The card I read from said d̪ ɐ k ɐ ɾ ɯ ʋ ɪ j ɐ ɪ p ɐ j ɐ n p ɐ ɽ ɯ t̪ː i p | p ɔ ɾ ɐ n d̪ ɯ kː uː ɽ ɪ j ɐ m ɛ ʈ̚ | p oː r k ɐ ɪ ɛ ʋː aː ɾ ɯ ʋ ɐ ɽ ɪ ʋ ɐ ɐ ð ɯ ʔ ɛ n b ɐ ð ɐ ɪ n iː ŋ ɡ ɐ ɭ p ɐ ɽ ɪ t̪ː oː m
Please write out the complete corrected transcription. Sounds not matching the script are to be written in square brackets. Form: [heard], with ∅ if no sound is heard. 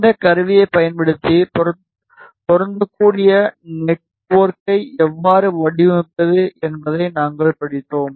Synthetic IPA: d̪ ɐ k ɐ ɾ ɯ ʋ ɪ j ɐ ɪ p ɐ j ɐ n p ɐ ɽ ɯ t̪ː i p | p ɔ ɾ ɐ n d̪ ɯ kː uː ɽ ɪ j ɐ [n] ɛ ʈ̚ | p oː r k ɐ ɪ ɛ ʋː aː ɾ ɯ ʋ ɐ ɽ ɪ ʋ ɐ ɐ ð ɯ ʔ ɛ n b ɐ ð ɐ ɪ n [aː] ŋ ɡ ɐ ɭ p ɐ ɽ ɪ t̪ː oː m